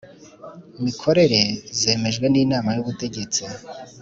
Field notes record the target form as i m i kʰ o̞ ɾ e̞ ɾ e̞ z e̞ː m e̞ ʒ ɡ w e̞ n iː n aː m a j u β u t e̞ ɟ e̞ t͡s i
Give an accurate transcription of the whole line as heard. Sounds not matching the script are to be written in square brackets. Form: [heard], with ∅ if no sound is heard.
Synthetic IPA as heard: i m i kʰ o̞ ɾ e̞ ɾ e̞ z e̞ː m e̞ ʒ ɡ w e̞ n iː n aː m a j u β u t e̞ ɟ e̞ t͡s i